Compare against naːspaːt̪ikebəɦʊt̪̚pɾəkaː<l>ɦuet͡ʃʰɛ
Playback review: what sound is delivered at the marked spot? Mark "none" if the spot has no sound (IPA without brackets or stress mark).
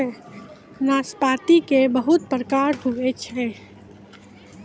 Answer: ɾ